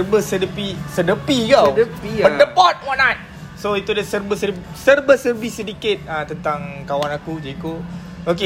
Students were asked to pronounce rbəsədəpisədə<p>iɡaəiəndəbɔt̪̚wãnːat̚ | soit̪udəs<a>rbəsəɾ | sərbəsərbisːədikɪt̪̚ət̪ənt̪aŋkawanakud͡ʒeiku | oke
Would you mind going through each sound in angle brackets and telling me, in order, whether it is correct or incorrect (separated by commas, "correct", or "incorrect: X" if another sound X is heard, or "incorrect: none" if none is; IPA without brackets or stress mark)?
correct, incorrect: ə